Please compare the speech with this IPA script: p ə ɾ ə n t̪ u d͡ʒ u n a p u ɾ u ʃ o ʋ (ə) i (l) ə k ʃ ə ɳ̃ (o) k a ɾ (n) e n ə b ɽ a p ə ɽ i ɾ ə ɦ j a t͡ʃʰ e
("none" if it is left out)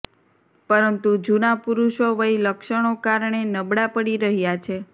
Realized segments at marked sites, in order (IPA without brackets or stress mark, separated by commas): ə, l, o, ɳ